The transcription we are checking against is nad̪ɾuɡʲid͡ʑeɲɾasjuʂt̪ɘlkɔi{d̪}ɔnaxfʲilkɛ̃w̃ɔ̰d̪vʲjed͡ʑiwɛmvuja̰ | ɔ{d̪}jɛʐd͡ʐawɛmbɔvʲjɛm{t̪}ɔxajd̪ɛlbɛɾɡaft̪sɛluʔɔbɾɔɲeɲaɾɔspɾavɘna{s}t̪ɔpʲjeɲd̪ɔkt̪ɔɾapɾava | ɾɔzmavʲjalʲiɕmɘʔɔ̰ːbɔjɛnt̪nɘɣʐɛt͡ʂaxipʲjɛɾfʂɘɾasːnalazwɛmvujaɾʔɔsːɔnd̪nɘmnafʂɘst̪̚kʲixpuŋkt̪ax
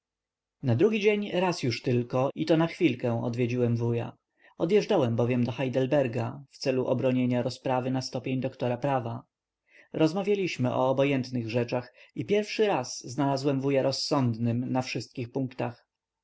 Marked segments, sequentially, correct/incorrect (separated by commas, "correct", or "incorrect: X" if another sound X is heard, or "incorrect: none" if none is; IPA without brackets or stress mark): incorrect: t̪, correct, incorrect: d̪, correct